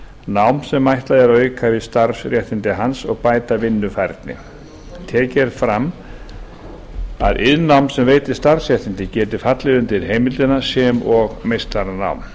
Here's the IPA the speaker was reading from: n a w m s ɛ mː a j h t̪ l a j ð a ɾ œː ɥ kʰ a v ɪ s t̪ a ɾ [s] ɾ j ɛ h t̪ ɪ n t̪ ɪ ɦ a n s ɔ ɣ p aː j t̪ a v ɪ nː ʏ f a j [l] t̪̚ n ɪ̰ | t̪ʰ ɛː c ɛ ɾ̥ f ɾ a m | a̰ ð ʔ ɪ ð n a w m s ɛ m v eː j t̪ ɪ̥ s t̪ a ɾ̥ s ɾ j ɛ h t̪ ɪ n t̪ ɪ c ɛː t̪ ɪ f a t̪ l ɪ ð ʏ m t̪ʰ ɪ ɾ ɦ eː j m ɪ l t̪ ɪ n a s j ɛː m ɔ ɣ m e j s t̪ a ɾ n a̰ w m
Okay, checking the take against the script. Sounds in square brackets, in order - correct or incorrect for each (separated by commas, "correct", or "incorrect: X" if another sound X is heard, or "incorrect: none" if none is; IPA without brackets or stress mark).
correct, incorrect: ɾ